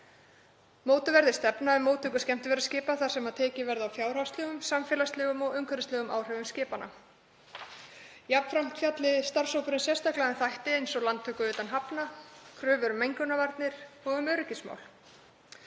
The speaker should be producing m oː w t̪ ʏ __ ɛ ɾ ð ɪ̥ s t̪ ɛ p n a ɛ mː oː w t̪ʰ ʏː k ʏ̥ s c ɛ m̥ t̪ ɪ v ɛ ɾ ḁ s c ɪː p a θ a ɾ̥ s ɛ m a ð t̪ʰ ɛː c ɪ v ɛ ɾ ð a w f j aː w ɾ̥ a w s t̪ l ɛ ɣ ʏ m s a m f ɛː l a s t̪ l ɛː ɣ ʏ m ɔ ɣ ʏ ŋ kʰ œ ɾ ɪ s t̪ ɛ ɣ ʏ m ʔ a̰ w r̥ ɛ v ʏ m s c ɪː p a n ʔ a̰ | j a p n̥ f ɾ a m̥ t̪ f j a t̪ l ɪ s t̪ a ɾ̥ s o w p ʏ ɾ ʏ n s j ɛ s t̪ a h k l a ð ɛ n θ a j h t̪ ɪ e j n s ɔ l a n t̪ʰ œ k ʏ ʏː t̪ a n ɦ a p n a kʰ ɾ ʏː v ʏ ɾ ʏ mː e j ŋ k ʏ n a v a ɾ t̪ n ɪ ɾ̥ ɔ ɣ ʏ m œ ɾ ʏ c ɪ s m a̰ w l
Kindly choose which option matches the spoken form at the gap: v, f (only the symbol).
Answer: v